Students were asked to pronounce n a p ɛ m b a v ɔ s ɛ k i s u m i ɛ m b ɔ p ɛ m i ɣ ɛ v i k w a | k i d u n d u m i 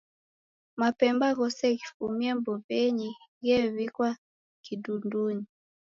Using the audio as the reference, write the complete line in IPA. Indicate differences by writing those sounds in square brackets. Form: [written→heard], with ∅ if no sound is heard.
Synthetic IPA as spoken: [n→m] a p ɛ m b a [v→ɣ] ɔ s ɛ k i [s→f] u m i ɛ m b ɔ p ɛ [m→ɲ] i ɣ ɛ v i k w a | k i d u n d u [m→ɲ] i